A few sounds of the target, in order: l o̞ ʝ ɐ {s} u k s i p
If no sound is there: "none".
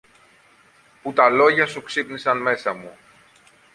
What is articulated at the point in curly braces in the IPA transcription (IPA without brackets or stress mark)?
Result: s